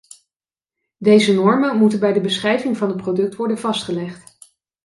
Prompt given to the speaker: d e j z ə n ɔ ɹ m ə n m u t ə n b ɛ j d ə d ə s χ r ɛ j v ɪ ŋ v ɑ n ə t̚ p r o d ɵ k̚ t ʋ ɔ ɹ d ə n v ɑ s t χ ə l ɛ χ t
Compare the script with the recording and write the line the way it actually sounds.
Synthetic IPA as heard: d e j z ə n ɔ ɹ m ə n m u t ə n b ɛ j d ə b ə s χ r ɛ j v ɪ ŋ v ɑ n ə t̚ p r o d ɵ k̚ t ʋ ɔ ɹ d ə n v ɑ s t χ ə l ɛ χ t